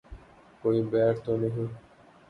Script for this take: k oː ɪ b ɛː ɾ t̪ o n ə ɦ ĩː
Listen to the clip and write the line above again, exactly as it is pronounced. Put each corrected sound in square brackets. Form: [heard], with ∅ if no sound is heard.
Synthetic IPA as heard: k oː [i] b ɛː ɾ t̪ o n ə ɦ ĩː